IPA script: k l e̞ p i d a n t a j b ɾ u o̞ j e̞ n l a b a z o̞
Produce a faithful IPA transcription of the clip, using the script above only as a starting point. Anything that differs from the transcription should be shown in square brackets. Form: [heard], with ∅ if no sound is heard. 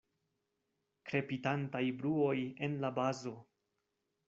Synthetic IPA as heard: k [ɾ] e̞ p i [t] a n t a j b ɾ u o̞ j e̞ n l a b a z o̞

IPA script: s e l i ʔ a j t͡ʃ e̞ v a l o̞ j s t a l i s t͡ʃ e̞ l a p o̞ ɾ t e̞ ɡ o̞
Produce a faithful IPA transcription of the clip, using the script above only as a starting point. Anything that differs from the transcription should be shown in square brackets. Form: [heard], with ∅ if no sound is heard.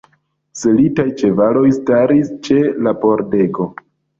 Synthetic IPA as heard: s e l i [t] a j t͡ʃ e̞ v a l o̞ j s t a [ɾ] i s t͡ʃ e̞ l a p o̞ ɾ [d] e̞ ɡ o̞

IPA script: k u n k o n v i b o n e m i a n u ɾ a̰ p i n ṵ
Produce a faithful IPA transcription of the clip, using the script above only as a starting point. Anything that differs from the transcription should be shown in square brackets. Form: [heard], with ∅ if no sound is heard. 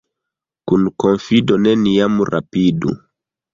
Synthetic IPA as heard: k u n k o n [f] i [d] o n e [n] i a [m] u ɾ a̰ p i [d] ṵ

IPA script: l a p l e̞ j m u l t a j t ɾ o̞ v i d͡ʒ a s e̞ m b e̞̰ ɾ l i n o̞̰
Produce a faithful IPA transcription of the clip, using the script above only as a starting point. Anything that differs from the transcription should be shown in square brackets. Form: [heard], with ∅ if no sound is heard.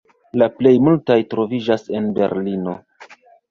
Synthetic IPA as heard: l a p l e̞ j m u l t a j t ɾ o̞ v i d͡ʒ a s e̞ [n] b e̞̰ ɾ l i n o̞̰

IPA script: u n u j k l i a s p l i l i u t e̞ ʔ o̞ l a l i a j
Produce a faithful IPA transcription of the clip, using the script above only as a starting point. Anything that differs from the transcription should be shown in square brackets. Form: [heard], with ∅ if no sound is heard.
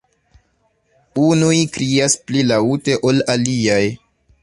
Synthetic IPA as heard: u n u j k [ɾ] i a s p l i l [a] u t e̞ ʔ o̞ l a l i a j

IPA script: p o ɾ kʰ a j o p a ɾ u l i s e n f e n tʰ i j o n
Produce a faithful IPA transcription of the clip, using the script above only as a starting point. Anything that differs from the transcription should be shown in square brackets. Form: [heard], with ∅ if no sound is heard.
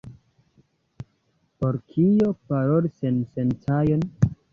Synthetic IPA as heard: p o ɾ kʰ [i] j o p a ɾ [o] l i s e n [s] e n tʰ [a] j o n

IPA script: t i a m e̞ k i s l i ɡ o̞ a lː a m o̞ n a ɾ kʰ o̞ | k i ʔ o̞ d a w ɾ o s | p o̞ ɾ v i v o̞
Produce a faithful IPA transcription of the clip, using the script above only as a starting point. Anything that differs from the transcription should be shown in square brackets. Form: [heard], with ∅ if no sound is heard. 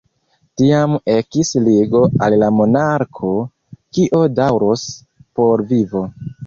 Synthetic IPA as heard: t i a m e̞ k i s l i ɡ o̞ a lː a m o̞ n a ɾ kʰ o̞ | k i ʔ o̞ d a w ɾ o s | p o̞ ɾ v i v o̞

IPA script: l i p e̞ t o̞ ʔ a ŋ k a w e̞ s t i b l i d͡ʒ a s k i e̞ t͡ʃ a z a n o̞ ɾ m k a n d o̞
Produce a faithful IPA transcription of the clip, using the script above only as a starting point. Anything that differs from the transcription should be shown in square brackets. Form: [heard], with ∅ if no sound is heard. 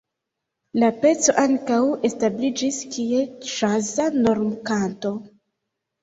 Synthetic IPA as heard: l [a] p e̞ [t͡s] o̞ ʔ a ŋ k a w e̞ s t [a] b l i d͡ʒ [i] s k i e̞ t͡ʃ a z a n o̞ ɾ m k a n [t] o̞

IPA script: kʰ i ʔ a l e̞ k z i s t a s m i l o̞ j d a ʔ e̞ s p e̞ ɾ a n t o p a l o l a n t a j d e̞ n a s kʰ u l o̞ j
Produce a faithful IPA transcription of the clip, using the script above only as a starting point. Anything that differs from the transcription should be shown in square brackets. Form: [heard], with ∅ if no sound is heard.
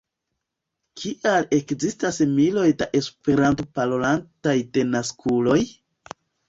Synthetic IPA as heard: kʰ i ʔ a l e̞ k z i s t a s m i l o̞ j d a ʔ e̞ s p e̞ ɾ a n t o p a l o l a n t a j d e̞ n a s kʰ u l o̞ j

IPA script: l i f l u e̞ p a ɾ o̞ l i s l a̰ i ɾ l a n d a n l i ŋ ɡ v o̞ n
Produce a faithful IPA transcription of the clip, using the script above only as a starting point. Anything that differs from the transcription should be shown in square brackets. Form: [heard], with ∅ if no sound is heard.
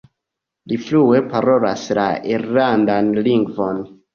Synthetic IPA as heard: l i f l u e̞ p a ɾ o̞ l [a] s l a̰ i ɾ l a n d a n l i ŋ ɡ v o̞ n

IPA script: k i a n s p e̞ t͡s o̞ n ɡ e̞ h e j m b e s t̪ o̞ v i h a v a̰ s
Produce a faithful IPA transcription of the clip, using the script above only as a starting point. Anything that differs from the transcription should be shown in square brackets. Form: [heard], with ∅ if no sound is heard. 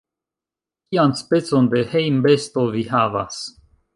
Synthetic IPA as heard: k i a n s p e̞ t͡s o̞ n [d] e̞ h e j m b e s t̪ o̞ v i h a v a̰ s

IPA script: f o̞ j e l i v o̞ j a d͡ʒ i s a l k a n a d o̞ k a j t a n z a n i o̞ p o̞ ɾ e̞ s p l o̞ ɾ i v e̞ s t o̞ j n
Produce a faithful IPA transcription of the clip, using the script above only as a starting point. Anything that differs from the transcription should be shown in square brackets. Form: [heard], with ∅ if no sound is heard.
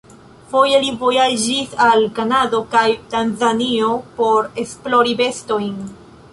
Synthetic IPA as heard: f o̞ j e l i v o̞ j a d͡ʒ i s a l k a n a d o̞ k a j t a n z a n i o̞ p o̞ ɾ e̞ s p l o̞ ɾ i [b] e̞ s t o̞ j n

